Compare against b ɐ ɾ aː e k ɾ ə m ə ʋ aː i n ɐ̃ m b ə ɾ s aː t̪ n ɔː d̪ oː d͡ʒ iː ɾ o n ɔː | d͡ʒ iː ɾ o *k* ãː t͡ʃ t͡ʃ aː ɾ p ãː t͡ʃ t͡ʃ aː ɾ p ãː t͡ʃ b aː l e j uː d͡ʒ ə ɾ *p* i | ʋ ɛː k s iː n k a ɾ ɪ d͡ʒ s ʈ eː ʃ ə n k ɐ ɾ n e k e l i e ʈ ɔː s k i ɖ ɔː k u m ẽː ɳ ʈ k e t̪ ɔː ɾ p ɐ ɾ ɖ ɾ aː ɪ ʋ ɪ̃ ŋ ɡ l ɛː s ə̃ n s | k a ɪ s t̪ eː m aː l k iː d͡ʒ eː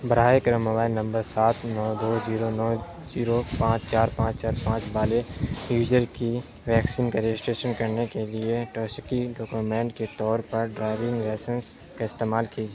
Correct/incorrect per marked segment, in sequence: incorrect: p, incorrect: k

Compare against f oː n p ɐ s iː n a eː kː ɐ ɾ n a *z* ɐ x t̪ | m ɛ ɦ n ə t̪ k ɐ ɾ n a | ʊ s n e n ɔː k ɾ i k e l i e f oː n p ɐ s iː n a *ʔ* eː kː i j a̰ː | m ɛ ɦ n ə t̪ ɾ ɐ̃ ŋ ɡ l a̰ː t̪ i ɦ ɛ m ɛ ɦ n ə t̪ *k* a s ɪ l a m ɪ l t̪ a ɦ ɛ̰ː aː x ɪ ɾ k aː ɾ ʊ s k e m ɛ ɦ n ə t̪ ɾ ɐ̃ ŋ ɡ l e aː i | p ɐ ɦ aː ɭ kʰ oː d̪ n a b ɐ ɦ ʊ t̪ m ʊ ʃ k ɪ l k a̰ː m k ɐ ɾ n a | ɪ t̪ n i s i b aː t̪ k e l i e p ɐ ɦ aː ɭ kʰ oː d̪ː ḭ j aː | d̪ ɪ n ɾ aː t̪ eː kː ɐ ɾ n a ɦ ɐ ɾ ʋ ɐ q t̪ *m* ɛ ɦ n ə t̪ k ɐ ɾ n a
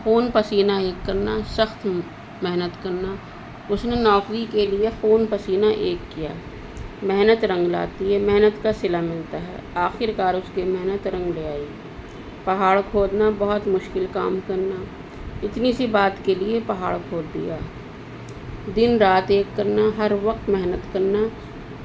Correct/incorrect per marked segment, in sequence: incorrect: s, correct, correct, correct

